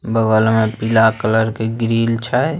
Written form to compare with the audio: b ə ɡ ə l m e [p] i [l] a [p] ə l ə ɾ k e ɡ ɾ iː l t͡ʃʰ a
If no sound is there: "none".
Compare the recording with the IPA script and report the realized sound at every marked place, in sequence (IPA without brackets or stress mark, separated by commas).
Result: p, l, k